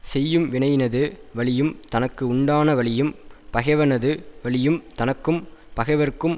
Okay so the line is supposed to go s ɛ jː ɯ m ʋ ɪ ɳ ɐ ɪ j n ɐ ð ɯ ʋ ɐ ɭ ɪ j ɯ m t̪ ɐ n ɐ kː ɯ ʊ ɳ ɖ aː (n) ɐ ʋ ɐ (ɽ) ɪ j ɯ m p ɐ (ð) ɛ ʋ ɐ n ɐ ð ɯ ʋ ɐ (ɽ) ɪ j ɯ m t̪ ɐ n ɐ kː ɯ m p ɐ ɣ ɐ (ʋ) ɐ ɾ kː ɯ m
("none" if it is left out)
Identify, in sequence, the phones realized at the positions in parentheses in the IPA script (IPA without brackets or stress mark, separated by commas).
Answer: n, ɭ, ɣ, ɭ, ʋ